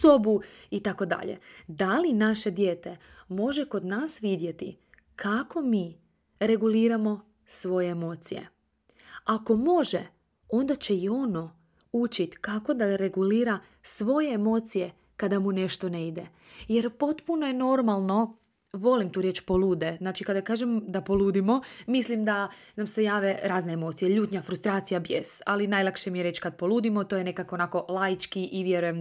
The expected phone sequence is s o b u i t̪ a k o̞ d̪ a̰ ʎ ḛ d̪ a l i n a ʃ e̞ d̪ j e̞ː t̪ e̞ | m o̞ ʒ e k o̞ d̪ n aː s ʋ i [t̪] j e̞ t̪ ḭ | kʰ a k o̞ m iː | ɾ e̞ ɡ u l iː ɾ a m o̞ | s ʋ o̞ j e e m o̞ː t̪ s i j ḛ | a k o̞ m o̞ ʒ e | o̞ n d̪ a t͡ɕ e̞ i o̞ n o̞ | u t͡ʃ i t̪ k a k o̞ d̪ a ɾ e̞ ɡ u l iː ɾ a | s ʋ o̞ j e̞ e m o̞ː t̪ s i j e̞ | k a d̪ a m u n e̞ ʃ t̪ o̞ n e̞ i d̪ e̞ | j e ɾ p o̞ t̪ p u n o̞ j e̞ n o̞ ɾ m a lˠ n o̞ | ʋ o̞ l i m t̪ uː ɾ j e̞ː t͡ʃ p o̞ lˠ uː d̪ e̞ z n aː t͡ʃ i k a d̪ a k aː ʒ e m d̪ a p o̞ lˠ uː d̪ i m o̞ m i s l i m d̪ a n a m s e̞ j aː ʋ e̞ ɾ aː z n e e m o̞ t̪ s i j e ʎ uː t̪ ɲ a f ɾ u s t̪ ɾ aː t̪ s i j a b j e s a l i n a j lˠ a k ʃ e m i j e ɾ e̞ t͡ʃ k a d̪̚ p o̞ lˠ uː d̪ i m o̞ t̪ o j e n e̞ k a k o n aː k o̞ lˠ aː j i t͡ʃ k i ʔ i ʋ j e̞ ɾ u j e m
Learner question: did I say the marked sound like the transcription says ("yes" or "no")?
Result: no